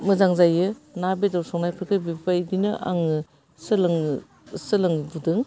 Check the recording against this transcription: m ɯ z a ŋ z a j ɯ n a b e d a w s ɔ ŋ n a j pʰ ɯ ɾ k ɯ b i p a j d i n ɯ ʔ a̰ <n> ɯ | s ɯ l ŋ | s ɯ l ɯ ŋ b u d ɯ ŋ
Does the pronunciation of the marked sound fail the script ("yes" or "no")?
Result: yes